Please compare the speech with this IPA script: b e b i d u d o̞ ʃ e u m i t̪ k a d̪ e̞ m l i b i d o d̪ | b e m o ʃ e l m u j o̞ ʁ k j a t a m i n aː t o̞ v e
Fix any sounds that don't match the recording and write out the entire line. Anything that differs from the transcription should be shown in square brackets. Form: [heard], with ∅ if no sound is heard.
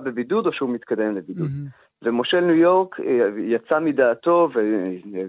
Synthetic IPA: b e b i d u d o̞ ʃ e u m i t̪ k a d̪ e̞ m l [e] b i d [u] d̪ | [v] e m o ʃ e l [n] u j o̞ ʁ k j a [t͡s] a m i [d] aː t o̞ v e